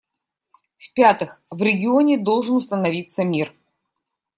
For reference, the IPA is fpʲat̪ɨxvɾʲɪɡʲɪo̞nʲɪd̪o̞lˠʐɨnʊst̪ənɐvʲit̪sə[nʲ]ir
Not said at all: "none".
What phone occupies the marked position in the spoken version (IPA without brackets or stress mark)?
mʲ